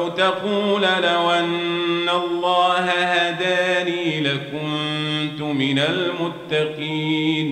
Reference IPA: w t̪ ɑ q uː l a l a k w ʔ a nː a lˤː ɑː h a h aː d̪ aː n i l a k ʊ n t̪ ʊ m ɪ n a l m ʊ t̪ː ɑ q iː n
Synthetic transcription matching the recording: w t̪ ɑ q uː l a l a w ʔ a nː a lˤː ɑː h a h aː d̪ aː n iː l a k ʊ n t̪ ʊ m ɪ n a l m ʊ t̪ː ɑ q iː n